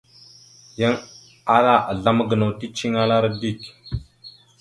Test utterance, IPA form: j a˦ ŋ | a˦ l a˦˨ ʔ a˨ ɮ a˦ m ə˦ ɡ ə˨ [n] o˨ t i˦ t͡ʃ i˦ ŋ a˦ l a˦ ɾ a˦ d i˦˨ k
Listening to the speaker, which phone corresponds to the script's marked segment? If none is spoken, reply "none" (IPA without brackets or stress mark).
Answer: n